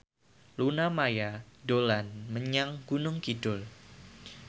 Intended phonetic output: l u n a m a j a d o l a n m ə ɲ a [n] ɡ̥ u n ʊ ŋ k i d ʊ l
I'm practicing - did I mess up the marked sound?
yes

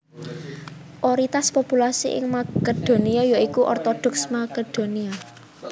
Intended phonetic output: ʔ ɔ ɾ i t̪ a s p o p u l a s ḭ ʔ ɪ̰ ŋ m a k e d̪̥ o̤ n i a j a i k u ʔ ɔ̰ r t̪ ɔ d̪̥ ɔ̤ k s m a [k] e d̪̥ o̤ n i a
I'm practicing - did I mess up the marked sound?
no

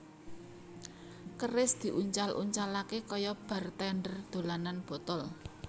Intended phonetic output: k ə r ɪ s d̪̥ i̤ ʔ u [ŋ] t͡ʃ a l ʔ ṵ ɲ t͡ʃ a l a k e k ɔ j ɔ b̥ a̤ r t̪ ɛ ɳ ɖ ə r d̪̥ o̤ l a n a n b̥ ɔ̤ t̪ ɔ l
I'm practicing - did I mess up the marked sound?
yes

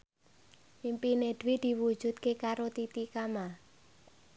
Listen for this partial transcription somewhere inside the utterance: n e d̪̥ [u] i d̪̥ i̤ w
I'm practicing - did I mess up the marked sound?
yes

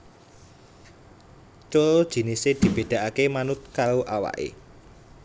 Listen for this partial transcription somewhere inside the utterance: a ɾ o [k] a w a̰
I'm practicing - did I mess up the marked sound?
yes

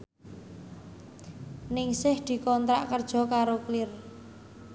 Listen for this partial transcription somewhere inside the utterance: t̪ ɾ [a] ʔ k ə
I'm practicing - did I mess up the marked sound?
no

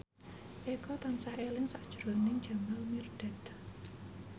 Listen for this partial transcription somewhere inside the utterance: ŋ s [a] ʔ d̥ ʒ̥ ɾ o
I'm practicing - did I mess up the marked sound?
no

